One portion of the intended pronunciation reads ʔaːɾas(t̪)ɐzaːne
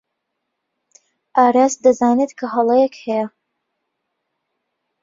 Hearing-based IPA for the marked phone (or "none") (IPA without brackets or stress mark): d̪